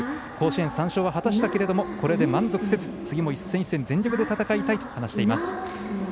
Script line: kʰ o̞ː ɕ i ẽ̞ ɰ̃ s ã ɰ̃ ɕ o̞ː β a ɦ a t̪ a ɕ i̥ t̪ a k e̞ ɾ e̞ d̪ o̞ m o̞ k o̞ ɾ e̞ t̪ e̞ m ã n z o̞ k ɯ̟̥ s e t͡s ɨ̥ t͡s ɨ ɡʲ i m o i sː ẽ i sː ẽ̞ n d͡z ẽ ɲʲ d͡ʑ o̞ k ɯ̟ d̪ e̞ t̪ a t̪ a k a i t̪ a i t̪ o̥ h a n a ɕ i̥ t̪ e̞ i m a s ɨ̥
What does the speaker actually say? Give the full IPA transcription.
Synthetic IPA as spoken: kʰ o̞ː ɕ i ẽ̞ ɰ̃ s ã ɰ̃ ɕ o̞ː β a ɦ a t̪ a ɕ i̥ t̪ a k e̞ ɾ e̞ d̪ o̞ m o̞ k o̞ ɾ e̞ d̪ e̞ m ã n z o̞ k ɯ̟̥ s e t͡s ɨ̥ t͡s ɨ ɡʲ i m o i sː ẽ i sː ẽ̞ n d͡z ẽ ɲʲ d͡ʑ o̞ k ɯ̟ d̪ e̞ t̪ a t̪ a k a i t̪ a i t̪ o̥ h a n a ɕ i̥ t̪ e̞ i m a s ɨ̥